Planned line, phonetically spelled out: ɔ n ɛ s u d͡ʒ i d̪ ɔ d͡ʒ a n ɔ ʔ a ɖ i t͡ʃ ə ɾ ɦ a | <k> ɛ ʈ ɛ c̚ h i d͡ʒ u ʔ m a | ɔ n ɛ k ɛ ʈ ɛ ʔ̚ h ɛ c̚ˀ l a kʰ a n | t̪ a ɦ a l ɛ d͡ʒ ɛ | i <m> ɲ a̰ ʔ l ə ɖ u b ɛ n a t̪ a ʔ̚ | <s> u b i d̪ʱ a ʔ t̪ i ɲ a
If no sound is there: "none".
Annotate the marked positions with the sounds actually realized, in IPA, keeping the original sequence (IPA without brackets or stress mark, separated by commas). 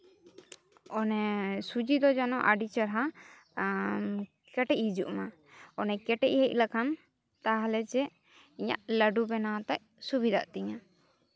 k, none, s